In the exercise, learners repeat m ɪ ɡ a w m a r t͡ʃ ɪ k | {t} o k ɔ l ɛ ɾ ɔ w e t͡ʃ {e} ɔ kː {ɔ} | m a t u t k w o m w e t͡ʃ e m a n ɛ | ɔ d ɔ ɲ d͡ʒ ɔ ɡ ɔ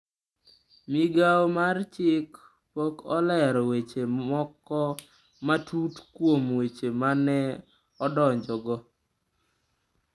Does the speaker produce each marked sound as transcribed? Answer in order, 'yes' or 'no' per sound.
no, yes, yes

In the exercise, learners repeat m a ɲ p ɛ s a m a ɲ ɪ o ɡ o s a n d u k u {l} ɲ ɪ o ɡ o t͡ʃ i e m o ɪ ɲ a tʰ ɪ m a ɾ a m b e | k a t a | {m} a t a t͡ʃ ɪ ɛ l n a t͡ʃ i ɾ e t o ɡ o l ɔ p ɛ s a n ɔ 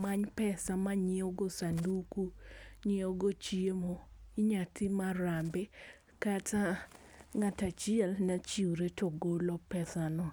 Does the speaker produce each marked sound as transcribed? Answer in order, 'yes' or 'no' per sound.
no, no

